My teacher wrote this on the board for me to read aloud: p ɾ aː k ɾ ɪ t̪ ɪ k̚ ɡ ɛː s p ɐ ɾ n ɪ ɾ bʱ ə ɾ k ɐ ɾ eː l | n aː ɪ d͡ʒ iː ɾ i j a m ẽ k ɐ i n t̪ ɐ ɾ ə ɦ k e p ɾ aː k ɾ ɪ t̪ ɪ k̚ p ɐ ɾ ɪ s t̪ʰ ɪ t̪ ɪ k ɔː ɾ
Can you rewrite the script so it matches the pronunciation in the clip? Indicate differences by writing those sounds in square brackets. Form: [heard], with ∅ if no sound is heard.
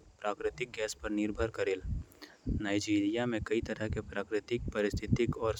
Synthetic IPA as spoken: p ɾ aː k ɾ ɪ t̪ ɪ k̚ ɡ ɛː s p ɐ ɾ n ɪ ɾ bʱ ə ɾ k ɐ ɾ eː l | n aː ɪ d͡ʒ iː ɾ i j a m ẽ k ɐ i [∅] t̪ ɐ ɾ ə ɦ k e p ɾ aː k ɾ ɪ t̪ ɪ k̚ p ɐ ɾ ɪ s t̪ʰ ɪ t̪ ɪ k ɔː ɾ